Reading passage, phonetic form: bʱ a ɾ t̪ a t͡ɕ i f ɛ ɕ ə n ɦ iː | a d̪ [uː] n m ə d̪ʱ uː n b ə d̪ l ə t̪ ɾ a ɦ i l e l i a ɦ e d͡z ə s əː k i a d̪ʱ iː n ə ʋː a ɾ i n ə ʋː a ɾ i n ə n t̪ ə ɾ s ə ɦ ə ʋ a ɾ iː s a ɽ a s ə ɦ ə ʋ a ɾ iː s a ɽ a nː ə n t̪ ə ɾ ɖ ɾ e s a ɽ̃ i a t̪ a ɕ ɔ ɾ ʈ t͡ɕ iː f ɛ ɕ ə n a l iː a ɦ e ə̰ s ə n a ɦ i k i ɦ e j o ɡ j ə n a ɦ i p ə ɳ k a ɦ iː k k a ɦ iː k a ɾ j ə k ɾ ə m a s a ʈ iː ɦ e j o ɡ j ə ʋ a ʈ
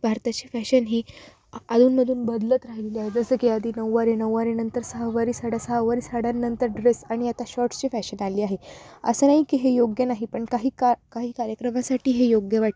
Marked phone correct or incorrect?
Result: correct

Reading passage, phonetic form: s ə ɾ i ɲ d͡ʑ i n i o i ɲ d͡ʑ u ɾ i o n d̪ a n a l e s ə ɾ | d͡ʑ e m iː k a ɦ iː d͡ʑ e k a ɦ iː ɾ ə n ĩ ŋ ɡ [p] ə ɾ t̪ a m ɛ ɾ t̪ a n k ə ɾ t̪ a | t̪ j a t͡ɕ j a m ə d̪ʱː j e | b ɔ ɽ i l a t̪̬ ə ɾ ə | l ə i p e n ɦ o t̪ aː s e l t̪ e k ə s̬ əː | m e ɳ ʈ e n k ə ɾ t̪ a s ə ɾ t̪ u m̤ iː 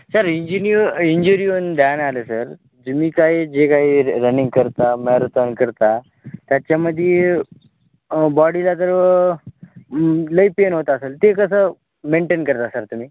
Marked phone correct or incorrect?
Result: incorrect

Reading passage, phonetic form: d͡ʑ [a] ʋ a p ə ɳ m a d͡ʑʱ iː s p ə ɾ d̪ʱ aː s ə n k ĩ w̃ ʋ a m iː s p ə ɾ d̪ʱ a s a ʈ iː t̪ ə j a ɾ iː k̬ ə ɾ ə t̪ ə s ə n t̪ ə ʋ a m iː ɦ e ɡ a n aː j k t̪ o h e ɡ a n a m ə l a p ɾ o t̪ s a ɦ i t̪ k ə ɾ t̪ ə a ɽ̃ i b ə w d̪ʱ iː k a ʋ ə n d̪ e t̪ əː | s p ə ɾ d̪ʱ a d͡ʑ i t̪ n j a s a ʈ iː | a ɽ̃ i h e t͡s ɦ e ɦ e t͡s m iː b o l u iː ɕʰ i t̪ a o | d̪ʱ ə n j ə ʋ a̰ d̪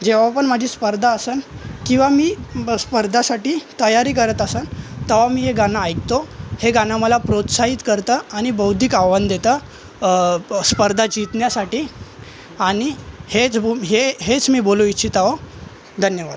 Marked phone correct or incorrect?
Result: incorrect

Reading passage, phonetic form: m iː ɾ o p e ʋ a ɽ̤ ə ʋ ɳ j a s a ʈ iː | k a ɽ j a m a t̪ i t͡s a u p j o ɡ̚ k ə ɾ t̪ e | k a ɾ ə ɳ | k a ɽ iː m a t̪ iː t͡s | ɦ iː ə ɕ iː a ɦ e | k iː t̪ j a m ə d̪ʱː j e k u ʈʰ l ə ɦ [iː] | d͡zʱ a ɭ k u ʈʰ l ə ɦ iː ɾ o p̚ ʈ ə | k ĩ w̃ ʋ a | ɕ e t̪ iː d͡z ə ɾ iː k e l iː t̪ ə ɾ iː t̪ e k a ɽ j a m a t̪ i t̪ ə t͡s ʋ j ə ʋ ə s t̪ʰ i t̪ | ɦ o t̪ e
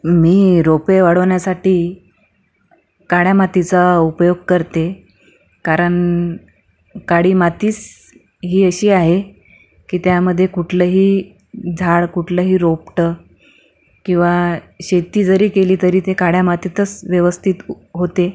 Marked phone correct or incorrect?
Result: correct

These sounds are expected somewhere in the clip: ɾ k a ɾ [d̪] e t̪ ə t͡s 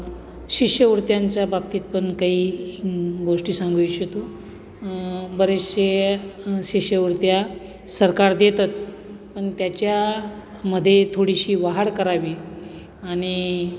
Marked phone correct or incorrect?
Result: correct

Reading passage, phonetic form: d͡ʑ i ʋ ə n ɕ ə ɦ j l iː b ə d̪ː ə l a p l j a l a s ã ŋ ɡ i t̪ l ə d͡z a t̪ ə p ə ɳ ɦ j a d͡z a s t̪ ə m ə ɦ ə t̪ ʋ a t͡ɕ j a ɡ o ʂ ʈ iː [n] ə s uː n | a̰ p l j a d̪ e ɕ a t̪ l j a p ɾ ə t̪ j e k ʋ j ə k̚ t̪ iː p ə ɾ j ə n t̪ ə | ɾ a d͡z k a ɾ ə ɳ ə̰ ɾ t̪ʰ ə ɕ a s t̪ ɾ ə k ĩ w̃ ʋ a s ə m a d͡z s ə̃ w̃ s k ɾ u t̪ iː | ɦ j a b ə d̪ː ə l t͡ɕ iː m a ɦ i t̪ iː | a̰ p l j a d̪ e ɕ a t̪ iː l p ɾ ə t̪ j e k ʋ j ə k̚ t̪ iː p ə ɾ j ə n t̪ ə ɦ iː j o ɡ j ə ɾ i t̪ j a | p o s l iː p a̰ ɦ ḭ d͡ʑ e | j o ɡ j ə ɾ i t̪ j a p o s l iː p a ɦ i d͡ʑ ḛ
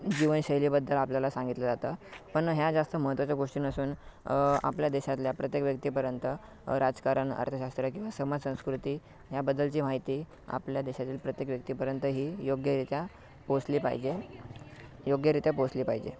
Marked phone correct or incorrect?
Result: correct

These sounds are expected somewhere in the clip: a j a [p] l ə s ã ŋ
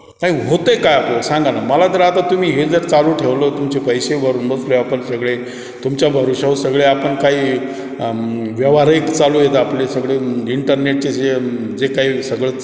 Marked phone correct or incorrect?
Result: correct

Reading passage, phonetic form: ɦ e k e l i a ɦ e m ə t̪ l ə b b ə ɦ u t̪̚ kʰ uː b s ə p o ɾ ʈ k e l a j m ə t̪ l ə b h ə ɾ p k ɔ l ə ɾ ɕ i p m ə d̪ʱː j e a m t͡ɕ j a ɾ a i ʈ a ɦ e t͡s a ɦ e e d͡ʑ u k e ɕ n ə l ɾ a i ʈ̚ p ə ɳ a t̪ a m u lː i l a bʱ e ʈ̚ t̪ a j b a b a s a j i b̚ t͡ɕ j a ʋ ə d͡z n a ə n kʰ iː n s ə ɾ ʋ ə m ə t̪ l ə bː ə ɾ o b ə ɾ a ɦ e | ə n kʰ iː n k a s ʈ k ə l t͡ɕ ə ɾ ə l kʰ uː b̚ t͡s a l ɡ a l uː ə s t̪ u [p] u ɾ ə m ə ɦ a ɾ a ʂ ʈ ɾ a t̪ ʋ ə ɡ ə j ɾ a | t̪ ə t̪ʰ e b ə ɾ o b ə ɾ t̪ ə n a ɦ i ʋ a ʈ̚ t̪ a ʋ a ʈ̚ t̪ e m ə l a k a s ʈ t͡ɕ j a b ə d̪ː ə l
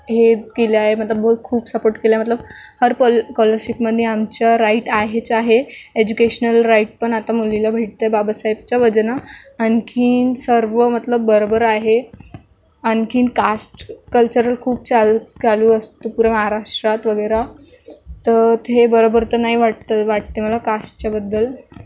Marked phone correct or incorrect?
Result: correct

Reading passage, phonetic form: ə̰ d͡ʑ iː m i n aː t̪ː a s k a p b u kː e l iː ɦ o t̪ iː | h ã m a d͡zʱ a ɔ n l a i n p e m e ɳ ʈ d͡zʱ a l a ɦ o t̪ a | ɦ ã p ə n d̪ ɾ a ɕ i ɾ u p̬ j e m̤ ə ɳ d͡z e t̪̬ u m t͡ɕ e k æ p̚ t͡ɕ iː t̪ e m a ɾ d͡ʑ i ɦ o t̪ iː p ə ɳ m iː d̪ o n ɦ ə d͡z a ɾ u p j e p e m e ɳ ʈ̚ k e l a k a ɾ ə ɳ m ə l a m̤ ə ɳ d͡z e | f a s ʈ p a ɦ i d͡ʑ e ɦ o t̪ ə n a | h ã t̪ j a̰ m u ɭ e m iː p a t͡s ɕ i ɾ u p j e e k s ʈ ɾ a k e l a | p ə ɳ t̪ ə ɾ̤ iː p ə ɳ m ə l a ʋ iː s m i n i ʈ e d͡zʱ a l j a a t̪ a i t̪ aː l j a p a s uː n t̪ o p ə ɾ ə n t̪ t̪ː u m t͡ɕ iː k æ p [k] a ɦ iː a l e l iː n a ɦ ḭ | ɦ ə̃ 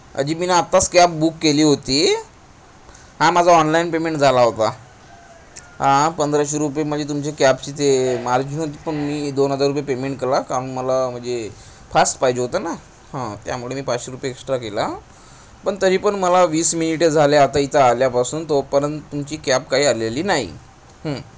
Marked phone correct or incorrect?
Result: correct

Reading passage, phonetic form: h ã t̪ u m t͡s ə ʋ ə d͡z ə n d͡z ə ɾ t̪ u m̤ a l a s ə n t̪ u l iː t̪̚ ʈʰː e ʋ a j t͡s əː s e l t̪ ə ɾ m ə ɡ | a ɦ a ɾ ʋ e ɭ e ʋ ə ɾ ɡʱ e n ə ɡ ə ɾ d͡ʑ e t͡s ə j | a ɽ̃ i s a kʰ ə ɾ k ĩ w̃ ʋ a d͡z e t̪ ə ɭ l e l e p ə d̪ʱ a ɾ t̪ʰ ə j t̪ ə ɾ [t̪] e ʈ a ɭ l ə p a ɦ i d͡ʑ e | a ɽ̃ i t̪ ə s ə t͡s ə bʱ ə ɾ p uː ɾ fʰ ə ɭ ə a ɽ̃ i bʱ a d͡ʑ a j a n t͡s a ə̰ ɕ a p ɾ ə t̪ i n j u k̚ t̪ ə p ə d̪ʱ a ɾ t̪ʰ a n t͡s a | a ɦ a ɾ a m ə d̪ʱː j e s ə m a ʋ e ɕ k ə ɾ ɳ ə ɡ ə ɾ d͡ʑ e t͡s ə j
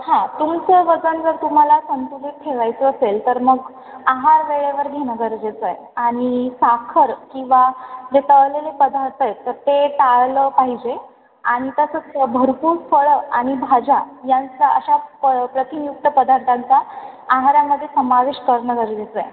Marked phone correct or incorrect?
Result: correct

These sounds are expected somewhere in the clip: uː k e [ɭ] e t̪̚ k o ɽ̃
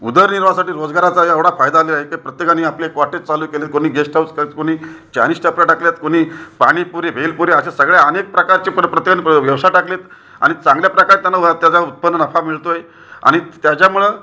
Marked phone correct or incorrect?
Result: incorrect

